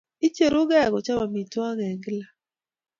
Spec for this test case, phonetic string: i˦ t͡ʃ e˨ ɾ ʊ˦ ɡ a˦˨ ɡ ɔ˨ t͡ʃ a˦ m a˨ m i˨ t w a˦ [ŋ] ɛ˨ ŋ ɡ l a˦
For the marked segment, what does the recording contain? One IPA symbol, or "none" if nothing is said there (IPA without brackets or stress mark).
ŋ